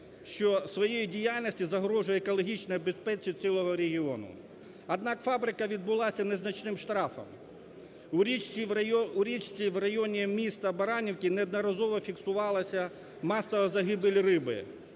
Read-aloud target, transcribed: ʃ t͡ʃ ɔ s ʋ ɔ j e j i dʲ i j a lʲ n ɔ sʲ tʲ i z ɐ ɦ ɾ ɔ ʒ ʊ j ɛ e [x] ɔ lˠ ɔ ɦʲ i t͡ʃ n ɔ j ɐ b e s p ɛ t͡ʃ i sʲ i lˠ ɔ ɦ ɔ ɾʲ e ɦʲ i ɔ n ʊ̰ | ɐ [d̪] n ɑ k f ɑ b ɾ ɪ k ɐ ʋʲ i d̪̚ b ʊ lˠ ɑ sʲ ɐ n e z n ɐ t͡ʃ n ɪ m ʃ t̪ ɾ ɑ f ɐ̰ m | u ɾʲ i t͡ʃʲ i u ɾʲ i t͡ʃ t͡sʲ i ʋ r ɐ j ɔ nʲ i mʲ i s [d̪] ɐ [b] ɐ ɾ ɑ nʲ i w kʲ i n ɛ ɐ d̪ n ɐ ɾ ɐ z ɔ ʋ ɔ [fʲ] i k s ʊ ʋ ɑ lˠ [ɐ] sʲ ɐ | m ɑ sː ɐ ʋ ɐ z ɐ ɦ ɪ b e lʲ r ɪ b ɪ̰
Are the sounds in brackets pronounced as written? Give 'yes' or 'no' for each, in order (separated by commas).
no, yes, no, yes, yes, yes